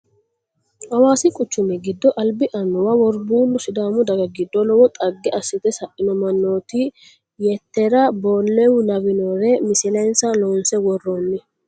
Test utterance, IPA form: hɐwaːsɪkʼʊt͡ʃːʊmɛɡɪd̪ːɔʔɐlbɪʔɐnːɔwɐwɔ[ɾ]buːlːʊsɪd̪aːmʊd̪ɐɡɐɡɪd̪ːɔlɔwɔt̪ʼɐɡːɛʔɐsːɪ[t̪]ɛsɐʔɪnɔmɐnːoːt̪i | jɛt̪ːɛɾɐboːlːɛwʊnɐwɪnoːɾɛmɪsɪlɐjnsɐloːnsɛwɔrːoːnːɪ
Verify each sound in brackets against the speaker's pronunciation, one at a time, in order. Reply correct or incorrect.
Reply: correct, correct

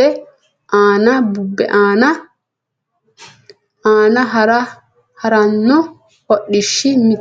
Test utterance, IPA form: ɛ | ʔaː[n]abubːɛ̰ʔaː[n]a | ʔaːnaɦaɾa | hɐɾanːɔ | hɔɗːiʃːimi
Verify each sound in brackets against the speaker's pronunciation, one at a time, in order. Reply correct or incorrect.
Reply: correct, correct

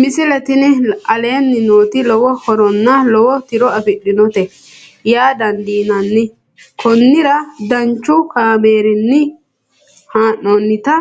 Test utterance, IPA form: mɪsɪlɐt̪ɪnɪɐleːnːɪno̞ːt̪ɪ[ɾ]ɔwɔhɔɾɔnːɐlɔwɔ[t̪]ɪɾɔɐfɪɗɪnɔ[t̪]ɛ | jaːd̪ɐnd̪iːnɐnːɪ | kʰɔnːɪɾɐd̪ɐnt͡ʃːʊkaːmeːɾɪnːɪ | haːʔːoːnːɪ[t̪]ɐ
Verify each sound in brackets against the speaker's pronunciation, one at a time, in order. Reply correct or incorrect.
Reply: incorrect, correct, correct, correct

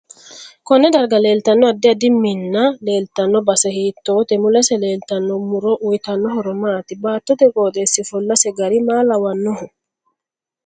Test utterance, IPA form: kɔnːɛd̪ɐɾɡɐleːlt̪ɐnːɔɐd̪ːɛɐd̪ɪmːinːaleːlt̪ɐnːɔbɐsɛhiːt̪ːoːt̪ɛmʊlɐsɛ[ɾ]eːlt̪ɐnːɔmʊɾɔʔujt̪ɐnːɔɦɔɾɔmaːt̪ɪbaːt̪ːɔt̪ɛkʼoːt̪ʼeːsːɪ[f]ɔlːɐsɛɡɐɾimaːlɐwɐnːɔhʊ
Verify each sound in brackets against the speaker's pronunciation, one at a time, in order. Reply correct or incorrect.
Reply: incorrect, correct

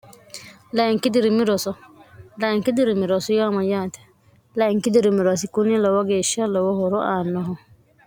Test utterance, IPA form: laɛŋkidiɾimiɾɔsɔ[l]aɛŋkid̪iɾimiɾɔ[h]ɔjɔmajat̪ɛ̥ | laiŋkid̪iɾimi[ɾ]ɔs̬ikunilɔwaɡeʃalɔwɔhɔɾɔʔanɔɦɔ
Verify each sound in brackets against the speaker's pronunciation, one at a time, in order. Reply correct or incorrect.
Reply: correct, incorrect, correct

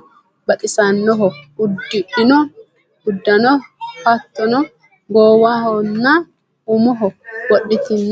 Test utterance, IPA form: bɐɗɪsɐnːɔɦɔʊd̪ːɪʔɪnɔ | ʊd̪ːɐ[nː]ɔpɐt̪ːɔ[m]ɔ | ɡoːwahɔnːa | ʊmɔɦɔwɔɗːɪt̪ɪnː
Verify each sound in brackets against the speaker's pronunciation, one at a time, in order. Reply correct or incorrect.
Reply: incorrect, incorrect

